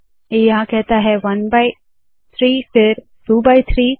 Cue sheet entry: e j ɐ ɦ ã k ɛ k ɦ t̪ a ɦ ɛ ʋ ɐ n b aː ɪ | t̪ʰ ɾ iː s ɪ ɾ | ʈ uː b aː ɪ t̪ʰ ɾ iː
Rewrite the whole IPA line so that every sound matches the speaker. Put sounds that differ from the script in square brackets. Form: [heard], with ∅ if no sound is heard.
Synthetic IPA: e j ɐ ɦ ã k ɛ [∅] ɦ t̪ a ɦ ɛ ʋ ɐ n b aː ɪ | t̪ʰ ɾ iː [f] ɪ ɾ | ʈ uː b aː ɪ t̪ʰ ɾ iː